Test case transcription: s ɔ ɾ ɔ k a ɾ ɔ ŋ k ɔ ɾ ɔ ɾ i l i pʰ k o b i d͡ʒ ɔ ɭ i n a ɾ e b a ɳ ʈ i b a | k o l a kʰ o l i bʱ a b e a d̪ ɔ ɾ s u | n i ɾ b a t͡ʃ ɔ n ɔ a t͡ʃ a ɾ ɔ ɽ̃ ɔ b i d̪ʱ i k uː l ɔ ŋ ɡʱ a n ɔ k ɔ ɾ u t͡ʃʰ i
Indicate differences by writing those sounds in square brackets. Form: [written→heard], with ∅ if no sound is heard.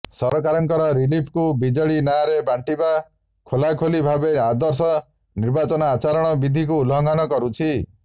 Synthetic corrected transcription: s ɔ ɾ ɔ k a ɾ ɔ ŋ k ɔ ɾ ɔ ɾ i l i pʰ k [o→u] b i d͡ʒ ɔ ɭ i n a ɾ e b a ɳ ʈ i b a | [k→kʰ] o l a kʰ o l i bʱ a b e a d̪ ɔ ɾ s [u→ɔ] | n i ɾ b a t͡ʃ ɔ n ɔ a t͡ʃ a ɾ ɔ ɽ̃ ɔ b i d̪ʱ i k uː l ɔ ŋ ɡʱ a n ɔ k ɔ ɾ u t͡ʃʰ i